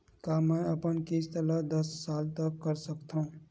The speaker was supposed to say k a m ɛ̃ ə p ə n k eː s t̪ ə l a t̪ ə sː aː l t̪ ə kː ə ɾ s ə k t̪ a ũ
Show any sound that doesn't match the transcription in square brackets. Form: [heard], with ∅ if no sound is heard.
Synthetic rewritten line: k a m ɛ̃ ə p ə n k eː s t̪ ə l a [d̪] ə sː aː l t̪ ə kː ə ɾ s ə k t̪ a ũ

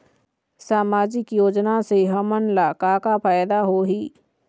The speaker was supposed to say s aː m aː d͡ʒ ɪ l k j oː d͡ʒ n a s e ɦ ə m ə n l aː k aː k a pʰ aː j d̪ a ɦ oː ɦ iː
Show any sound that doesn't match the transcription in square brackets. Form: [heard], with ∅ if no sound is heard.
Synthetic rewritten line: s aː m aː d͡ʒ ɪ [∅] k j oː d͡ʒ n a s e ɦ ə m ə n l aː k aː k a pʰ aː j d̪ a ɦ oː ɦ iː

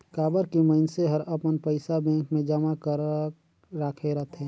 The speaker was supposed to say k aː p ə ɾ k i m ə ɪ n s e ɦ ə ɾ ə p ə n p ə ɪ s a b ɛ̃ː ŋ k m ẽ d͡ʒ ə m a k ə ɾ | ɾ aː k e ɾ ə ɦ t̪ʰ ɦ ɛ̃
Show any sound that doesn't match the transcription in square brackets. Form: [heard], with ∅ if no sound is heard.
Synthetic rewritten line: k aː [b] ə ɾ k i m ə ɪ n s e ɦ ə ɾ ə p ə n p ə ɪ s a b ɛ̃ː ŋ k m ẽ d͡ʒ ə m a k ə ɾ | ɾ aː [kʰ] e ɾ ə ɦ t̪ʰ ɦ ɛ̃

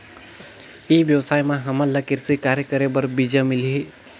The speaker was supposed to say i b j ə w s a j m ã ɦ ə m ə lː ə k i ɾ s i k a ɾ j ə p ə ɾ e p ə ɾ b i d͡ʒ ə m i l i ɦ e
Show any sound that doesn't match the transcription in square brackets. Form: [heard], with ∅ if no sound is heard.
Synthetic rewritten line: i b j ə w s a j m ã ɦ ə m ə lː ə k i ɾ s i k a ɾ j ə [k] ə ɾ e [b] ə ɾ b i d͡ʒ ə m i l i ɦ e

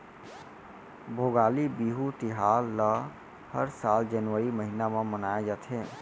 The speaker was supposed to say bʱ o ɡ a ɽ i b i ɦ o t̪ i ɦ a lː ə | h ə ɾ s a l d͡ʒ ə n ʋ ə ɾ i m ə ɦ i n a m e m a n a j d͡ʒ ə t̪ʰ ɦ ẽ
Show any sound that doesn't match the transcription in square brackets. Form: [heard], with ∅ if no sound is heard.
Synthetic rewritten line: bʱ o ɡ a [l] i b i ɦ [u] t̪ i ɦ a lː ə | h ə ɾ s a l d͡ʒ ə n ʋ ə ɾ i m ə ɦ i n a m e m [ə] n a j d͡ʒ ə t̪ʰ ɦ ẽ

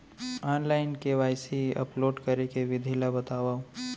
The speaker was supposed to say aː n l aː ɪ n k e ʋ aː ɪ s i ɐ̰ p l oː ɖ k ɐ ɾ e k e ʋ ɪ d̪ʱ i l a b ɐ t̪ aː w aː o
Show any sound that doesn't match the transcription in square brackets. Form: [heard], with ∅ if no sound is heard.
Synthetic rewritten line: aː n l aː ɪ n k e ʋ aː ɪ s i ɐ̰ p l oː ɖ k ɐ ɾ e k e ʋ ɪ d̪ʱ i l a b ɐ t̪ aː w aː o

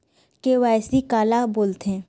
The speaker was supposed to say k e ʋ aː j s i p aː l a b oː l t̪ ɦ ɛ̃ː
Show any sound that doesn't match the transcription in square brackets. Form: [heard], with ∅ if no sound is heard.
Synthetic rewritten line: k e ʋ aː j s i [k] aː l a b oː l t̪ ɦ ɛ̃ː

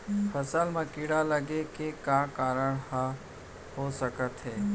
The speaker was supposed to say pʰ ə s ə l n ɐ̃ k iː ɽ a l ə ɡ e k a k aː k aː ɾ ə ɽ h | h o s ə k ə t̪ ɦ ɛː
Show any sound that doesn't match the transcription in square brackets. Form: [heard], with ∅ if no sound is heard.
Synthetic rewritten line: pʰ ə s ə l [m] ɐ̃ k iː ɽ a l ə ɡ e k [e] k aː k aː ɾ ə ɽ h | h o s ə k ə t̪ ɦ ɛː

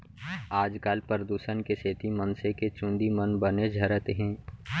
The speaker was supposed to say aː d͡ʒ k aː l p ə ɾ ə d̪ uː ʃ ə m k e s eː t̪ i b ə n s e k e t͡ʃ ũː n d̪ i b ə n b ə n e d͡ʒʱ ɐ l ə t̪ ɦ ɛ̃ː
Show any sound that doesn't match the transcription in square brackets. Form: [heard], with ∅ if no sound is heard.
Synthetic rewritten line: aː d͡ʒ k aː l p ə ɾ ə d̪ uː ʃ ə [n] k e s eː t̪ i [m] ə n s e k e t͡ʃ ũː n d̪ i [m] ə n b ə n e d͡ʒʱ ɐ [ɾ] ə t̪ ɦ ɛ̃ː

